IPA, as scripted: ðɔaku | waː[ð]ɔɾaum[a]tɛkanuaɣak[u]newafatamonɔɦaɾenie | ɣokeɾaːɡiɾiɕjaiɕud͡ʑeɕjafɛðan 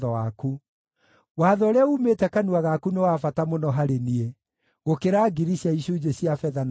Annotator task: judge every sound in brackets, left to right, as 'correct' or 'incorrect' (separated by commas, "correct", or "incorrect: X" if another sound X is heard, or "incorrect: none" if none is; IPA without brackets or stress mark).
correct, incorrect: e, correct